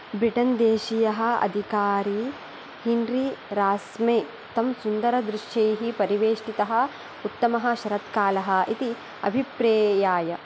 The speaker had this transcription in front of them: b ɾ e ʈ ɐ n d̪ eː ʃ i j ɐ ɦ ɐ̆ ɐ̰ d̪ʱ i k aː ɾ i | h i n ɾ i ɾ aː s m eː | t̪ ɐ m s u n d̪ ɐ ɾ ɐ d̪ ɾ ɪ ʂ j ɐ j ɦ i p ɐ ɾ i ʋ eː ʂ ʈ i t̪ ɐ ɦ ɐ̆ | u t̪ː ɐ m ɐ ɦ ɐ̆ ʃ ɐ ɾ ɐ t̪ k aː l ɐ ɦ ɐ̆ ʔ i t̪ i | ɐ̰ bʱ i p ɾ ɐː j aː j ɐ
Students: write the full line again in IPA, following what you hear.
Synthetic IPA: b ɾ i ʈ ɐ n d̪ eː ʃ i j ɐ ɦ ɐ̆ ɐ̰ d̪ʱ i k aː ɾ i | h i n ɾ i ɾ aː s m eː | t̪ ɐ m s u n d̪ ɐ ɾ ɐ d̪ ɾ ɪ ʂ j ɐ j ɦ i p ɐ ɾ i ʋ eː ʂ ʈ i t̪ ɐ ɦ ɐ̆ | u t̪ː ɐ m ɐ ɦ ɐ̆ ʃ ɐ ɾ ɐ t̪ k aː l ɐ ɦ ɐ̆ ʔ i t̪ i | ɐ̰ bʱ i p ɾ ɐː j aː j ɐ

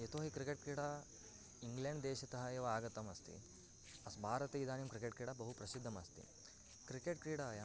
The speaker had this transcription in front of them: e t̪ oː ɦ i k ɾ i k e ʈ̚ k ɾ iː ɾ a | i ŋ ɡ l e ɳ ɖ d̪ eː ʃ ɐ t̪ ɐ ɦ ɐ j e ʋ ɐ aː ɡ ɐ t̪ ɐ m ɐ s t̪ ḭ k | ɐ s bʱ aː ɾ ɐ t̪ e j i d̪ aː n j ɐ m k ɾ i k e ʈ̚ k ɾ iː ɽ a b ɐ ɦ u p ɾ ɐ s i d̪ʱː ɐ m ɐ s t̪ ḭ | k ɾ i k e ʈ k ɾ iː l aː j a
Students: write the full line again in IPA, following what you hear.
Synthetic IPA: e t̪ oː ɦ i k ɾ i k e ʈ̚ k ɾ iː ɽ a | i ŋ ɡ l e ɳ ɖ d̪ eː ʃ ɐ t̪ ɐ ɦ ɐ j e ʋ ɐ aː ɡ ɐ t̪ ɐ m ɐ s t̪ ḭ | ɐ s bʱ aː ɾ ɐ t̪ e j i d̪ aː n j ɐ m k ɾ i k e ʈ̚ k ɾ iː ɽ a b ɐ ɦ u p ɾ ɐ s i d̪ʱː ɐ m ɐ s t̪ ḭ | k ɾ i k e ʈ k ɾ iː ɽ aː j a

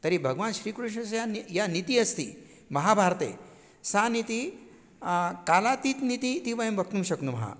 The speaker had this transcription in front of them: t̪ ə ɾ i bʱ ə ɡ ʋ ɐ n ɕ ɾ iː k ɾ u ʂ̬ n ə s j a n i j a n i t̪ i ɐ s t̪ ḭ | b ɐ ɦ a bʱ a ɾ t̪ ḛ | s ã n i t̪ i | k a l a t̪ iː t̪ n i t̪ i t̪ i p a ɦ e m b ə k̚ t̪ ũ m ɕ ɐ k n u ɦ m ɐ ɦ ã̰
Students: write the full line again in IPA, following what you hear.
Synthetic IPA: t̪ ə ɾ i bʱ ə ɡ ʋ a n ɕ ɾ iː k ɾ u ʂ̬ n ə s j a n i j a n i t̪ i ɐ s t̪ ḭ | m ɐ ɦ a bʱ a ɾ t̪ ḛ | s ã n i t̪ i | k a l a t̪ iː t̪ n i t̪ i t̪ i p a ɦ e m b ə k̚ t̪ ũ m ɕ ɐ k n u m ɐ ɦ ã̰

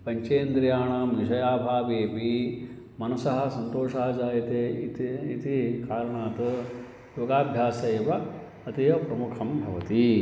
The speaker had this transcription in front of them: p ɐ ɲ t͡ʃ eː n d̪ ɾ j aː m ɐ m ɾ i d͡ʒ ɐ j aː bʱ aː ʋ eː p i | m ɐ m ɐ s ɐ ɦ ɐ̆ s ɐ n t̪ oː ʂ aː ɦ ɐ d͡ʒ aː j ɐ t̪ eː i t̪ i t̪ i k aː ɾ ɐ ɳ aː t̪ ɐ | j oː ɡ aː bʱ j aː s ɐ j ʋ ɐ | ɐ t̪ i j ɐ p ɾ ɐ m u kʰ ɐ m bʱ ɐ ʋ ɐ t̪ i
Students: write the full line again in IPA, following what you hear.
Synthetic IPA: p ɐ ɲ t͡ʃ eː n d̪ ɾ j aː ɳ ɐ m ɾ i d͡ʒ ɐ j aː bʱ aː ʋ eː p i | m ɐ n ɐ s ɐ ɦ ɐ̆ s ɐ n t̪ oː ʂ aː ɦ ɐ d͡ʒ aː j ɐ t̪ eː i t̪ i t̪ i k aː ɾ ɐ ɳ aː t̪ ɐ | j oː ɡ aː bʱ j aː s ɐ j ʋ ɐ | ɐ t̪ i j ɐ p ɾ ɐ m u kʰ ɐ m bʱ ɐ ʋ ɐ t̪ i

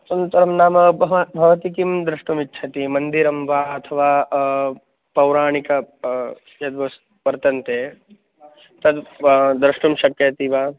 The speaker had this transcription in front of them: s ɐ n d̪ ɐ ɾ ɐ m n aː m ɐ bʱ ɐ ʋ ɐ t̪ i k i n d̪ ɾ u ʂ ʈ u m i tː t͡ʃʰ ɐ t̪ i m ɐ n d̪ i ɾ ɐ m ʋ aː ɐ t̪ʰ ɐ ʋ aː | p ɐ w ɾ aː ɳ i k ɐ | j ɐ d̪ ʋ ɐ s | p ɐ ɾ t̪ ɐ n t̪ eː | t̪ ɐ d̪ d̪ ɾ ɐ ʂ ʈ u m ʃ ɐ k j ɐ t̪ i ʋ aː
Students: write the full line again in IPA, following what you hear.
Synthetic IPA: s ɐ n t̪ ɐ ɾ ɐ m n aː m ɐ bʱ ɐ ʋ ɐ t̪ i k i m d̪ ɾ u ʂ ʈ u m i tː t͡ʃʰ ɐ t̪ i m ɐ n d̪ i ɾ ɐ m ʋ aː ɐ t̪ʰ ɐ ʋ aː | p ɐ w ɾ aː ɳ i k ɐ | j ɐ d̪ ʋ ɐ s | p ɐ ɾ t̪ ɐ n t̪ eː | t̪ ɐ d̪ d̪ ɾ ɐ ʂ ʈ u m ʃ ɐ k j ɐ t̪ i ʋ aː

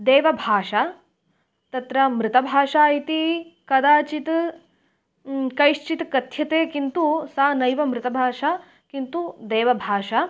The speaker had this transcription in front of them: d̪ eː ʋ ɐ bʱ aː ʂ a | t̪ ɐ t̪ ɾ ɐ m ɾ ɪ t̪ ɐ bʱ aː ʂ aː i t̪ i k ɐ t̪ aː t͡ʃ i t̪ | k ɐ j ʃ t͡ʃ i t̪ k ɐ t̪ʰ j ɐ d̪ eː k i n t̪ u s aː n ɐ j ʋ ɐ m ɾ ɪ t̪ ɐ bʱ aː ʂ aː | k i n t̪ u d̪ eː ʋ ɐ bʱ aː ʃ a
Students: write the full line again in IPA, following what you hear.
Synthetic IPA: d̪ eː ʋ ɐ bʱ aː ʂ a | t̪ ɐ t̪ ɾ ɐ m ɾ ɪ t̪ ɐ bʱ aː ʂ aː i t̪ i k ɐ d̪ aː t͡ʃ i t̪ | k ɐ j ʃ t͡ʃ i t̪ k ɐ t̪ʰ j ɐ t̪ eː k i n t̪ u s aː n ɐ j ʋ ɐ m ɾ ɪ t̪ ɐ bʱ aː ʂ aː | k i n t̪ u d̪ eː ʋ ɐ bʱ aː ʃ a

